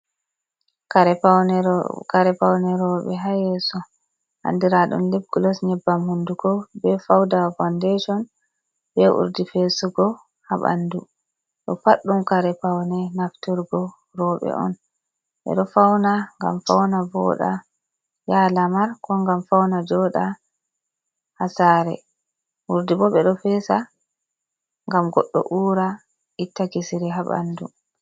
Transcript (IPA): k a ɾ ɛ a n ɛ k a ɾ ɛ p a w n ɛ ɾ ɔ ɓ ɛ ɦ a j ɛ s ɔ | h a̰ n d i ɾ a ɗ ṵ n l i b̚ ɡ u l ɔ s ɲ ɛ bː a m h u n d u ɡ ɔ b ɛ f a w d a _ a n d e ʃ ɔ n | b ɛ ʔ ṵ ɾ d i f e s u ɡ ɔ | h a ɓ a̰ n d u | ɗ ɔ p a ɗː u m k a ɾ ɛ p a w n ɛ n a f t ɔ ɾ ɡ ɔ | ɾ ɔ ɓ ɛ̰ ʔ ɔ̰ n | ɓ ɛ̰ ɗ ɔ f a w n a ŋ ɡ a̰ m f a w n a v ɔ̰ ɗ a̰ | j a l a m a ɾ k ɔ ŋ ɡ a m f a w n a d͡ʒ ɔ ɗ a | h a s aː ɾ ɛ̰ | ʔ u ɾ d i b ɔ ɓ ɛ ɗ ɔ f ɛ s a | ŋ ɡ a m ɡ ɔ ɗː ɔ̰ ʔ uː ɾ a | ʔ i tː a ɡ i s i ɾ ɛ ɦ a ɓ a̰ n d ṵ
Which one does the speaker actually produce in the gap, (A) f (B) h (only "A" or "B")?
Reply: A